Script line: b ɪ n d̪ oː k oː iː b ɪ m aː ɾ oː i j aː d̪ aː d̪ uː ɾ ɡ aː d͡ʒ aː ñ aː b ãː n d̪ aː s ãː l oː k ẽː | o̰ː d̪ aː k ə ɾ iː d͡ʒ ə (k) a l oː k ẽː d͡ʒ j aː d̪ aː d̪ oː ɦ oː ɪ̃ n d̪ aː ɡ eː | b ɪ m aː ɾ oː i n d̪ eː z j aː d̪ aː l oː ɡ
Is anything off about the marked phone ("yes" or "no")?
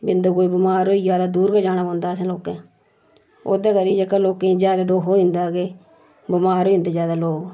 no